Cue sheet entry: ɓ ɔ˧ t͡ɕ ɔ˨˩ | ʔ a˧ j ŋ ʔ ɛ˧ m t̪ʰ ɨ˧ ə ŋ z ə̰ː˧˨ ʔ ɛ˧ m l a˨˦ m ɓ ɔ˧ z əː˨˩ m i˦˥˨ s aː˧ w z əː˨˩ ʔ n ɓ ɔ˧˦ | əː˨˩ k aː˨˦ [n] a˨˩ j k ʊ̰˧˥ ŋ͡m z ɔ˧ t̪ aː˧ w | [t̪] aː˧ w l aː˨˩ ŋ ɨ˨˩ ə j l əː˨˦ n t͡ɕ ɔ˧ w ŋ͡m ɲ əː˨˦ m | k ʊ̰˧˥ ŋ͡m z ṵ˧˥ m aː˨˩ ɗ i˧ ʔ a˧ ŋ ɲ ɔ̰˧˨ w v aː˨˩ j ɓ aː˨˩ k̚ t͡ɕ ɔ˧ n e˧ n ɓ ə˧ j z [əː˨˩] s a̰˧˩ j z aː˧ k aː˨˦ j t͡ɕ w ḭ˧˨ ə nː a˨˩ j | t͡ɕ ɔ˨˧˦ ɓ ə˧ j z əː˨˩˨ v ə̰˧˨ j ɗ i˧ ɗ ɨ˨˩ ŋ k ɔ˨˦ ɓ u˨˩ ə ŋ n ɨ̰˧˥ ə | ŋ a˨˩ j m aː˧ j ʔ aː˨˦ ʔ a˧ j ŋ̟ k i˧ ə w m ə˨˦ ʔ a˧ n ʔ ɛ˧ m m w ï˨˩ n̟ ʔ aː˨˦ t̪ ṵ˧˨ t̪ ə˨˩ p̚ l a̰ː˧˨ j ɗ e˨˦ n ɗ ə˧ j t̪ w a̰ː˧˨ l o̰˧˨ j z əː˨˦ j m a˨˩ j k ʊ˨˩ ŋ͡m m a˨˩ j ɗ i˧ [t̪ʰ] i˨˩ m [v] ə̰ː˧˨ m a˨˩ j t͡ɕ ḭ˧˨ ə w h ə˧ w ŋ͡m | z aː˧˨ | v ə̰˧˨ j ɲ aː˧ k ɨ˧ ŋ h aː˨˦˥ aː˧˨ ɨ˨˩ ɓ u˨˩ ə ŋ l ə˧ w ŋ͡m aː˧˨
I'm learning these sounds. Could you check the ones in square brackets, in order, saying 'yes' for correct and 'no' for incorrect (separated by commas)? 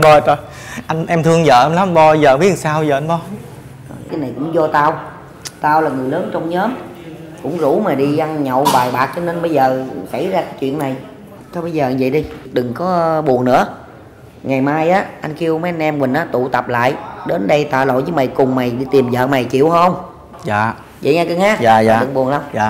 yes, yes, yes, no, no